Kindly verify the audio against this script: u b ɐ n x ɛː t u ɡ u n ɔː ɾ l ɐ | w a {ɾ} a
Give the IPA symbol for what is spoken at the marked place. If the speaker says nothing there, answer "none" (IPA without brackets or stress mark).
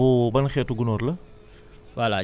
l